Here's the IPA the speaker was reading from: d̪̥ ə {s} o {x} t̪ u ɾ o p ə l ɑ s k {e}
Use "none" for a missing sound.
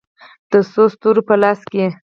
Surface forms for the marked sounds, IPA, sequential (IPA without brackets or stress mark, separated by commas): s, s, e